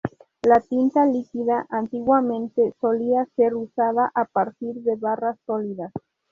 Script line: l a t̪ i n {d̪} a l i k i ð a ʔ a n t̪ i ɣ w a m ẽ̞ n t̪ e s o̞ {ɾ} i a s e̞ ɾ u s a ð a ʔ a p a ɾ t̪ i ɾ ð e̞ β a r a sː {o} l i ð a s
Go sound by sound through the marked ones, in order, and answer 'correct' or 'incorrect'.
incorrect, incorrect, correct

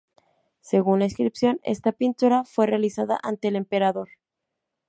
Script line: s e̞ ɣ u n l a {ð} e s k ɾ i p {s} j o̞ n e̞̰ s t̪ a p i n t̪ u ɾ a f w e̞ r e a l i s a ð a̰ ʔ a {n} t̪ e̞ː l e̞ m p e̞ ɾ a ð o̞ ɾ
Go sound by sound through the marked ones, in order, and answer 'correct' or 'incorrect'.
incorrect, correct, correct

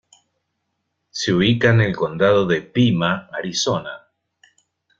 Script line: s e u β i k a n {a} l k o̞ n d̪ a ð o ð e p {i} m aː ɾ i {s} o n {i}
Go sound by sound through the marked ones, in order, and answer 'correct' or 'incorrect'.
incorrect, correct, correct, incorrect

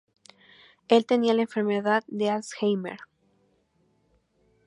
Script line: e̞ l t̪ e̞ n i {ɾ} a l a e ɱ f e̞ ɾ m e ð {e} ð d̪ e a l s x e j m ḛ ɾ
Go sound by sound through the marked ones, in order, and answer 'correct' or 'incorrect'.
incorrect, incorrect

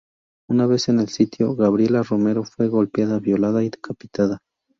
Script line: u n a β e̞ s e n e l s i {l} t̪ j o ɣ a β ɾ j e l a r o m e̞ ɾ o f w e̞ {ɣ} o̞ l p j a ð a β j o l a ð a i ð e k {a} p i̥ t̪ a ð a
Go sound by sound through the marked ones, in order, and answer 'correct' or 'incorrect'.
incorrect, correct, correct

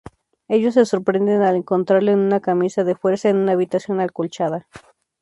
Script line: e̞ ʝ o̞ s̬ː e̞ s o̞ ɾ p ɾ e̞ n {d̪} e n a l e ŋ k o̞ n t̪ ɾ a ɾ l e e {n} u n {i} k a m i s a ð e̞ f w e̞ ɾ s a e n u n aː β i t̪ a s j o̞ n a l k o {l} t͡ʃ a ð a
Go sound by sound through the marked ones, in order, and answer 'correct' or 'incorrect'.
correct, correct, incorrect, correct

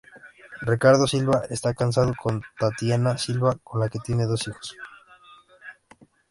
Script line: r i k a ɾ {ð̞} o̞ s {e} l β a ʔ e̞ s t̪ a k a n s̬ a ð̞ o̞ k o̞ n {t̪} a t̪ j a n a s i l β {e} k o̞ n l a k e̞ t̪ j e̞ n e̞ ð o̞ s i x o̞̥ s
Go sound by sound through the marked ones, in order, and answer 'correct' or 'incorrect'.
correct, incorrect, correct, incorrect

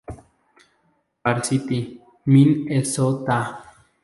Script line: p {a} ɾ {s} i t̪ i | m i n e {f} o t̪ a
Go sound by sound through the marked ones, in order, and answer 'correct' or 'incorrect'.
correct, correct, incorrect

